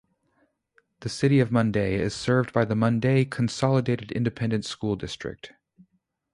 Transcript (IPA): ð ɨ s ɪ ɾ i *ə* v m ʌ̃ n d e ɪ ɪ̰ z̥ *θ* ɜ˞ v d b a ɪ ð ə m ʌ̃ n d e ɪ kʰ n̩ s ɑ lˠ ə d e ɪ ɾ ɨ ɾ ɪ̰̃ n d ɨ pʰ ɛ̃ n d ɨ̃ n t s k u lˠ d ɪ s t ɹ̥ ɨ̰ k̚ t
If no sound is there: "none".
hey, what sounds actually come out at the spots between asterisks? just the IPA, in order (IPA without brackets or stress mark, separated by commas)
ʌ, s